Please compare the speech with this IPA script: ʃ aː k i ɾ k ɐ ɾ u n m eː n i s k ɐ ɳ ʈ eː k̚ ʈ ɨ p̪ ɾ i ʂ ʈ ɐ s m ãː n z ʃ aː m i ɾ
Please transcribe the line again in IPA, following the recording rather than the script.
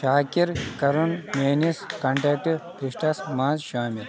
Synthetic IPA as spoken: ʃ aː k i ɾ k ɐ ɾ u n m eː n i s k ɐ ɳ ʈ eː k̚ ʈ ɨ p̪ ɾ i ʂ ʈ ɐ s m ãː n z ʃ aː m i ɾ